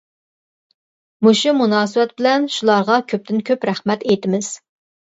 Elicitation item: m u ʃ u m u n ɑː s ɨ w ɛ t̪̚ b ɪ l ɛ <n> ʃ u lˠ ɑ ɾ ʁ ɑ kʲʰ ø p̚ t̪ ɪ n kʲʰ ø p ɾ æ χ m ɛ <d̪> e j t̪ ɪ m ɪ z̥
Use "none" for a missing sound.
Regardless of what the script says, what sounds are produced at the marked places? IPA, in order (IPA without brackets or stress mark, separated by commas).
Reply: n, t̪